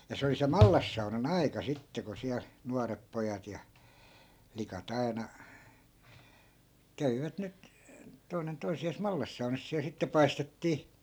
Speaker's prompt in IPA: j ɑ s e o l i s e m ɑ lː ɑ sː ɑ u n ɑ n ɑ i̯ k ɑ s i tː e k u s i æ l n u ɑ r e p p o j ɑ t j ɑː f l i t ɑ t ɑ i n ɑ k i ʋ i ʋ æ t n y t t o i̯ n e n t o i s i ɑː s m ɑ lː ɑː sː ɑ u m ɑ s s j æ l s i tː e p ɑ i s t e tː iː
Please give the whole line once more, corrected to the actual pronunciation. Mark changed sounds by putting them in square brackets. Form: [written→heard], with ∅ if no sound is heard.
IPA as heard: j ɑ s e o l i s e m ɑ lː ɑ sː ɑ u n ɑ n ɑ i̯ k ɑ s i tː e k u s i æ l n u ɑ r e p p o j ɑ t j [ɑː→ɑ] f l i [t→k] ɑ t ɑ i n ɑ k [i→æ] ʋ i ʋ æ t n y t t o i̯ n e n t o i s i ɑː s m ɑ lː [ɑː→ɑ] sː ɑ u [m→n] ɑ s s [j→i] æ l s i tː e p ɑ i s t e tː iː